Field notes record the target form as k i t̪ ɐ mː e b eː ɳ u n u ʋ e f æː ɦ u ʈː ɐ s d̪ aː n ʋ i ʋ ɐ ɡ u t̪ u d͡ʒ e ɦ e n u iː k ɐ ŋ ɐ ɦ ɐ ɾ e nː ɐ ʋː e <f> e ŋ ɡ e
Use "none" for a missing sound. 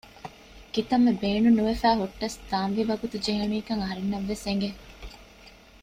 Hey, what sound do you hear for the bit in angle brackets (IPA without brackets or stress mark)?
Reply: s